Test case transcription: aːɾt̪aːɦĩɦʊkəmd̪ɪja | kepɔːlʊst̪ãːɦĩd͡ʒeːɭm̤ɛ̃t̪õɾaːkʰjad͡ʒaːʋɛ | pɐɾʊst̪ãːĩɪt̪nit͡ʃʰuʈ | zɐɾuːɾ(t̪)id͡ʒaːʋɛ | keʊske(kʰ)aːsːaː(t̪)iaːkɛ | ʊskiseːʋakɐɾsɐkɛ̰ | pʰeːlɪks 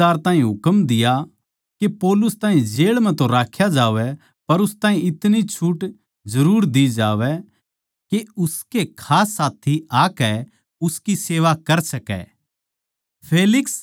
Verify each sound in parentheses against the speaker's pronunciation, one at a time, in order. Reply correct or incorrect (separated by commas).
incorrect, correct, incorrect